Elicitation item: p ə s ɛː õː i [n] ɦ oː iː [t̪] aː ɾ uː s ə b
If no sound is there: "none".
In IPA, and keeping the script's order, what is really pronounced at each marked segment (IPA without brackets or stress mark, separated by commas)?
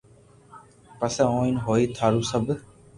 n, t̪ʰ